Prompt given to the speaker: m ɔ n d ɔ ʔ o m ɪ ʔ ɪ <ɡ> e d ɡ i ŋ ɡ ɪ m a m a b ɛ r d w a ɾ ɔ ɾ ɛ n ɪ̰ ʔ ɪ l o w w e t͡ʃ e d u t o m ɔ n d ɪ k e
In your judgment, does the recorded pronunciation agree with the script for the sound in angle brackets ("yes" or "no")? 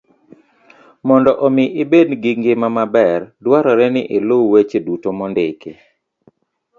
no